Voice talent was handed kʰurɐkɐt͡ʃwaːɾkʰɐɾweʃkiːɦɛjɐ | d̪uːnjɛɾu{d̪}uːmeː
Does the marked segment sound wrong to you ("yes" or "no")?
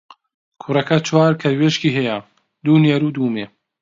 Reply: no